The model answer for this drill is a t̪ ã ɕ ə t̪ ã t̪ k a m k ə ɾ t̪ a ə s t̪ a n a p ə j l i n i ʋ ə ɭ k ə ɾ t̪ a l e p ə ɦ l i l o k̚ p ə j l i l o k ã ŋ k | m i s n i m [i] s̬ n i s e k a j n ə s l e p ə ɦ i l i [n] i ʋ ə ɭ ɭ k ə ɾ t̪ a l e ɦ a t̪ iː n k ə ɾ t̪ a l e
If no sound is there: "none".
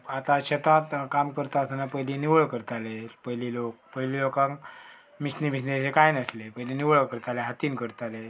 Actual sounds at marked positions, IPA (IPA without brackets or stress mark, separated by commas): i, n